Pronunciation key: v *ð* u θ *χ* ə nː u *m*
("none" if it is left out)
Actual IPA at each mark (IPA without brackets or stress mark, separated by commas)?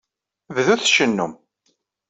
ð, ʃ, m